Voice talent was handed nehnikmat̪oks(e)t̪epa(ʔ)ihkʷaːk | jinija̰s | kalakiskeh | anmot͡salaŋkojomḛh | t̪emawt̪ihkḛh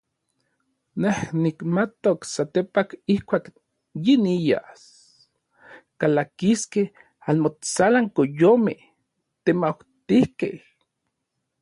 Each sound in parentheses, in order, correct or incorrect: incorrect: a, incorrect: k

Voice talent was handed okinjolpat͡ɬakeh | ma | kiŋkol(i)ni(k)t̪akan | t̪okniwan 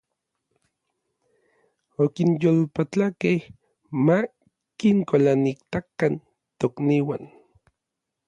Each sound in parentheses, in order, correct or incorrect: incorrect: a, correct

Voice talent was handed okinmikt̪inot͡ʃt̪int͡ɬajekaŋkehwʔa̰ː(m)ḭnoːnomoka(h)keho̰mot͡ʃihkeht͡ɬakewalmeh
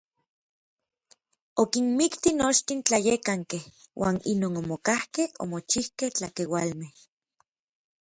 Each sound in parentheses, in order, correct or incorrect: incorrect: n, correct

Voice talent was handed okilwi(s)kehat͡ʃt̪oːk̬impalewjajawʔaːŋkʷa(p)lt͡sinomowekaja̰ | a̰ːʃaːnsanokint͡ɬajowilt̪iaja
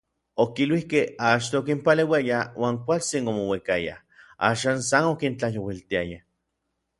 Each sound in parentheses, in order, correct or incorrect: incorrect: h, incorrect: none

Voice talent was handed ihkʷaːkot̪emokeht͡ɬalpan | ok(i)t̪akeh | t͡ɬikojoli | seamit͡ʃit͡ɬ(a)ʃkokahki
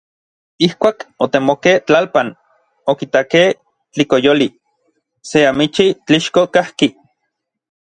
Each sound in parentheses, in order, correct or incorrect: correct, incorrect: i

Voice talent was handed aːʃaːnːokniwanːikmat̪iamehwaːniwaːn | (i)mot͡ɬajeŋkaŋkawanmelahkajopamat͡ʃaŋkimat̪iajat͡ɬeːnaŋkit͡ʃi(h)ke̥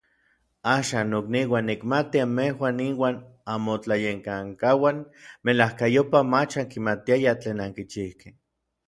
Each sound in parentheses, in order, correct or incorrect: incorrect: a, correct

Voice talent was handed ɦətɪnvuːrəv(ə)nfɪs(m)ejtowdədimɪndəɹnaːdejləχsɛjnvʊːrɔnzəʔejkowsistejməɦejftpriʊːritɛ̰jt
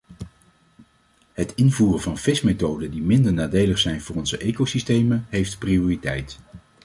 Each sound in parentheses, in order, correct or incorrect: incorrect: ɑ, correct

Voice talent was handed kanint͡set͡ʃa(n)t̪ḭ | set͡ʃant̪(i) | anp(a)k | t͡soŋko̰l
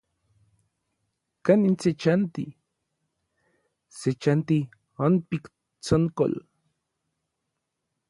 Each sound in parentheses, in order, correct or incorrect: correct, correct, incorrect: i

